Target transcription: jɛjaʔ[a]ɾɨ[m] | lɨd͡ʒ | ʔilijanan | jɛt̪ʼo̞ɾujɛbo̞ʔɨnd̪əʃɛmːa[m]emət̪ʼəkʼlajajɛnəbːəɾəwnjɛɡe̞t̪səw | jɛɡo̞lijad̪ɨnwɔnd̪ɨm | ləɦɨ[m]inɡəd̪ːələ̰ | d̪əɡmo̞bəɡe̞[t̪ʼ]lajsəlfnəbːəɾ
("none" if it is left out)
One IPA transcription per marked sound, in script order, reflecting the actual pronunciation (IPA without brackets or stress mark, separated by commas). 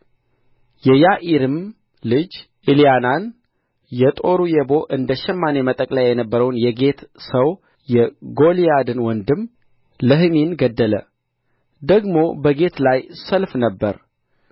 i, m, n, m, t̪